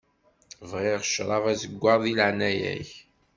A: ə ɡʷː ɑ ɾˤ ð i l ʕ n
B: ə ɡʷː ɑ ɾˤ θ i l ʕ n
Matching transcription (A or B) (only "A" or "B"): A